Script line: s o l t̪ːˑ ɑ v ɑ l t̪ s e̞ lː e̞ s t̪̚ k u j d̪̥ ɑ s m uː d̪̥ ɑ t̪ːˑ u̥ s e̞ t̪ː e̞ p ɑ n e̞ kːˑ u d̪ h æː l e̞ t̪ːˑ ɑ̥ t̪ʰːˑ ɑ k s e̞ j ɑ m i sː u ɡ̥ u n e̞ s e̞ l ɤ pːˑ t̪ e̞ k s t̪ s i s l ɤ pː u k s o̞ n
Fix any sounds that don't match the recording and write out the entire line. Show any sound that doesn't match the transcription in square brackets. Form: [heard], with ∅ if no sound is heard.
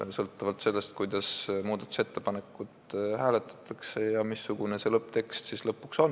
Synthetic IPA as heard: s [ɤ] l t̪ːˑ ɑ v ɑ l t̪ s e̞ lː e̞ s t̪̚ k u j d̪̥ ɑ s m uː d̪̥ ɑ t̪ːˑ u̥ s e̞ t̪ː e̞ p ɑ n e̞ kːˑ u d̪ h æː l e̞ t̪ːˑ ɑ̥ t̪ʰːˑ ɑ k s e̞ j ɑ m i sː u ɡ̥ u n e̞ s e̞ l ɤ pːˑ t̪ e̞ k s t̪ s i s l ɤ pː u k s o̞ n